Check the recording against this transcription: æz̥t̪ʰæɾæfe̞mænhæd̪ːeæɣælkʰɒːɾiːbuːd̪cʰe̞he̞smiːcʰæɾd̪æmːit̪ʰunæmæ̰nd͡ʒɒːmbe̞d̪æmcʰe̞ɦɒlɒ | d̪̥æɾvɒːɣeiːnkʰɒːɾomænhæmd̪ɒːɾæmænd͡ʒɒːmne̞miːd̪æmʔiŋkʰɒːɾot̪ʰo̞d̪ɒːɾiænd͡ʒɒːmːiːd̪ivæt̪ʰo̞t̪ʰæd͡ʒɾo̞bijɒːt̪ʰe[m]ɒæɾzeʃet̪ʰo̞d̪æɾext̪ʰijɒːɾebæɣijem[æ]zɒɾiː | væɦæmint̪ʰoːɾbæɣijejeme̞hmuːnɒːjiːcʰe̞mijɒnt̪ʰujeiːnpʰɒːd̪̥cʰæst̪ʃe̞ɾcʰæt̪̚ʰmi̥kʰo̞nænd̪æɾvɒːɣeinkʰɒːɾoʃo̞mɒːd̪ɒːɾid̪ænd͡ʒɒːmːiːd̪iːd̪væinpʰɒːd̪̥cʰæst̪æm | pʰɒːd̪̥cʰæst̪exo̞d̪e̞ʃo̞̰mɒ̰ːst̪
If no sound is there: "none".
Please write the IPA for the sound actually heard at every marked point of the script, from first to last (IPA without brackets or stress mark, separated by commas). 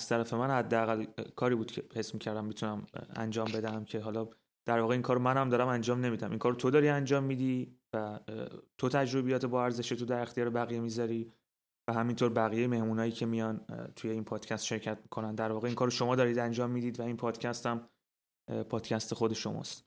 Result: b, i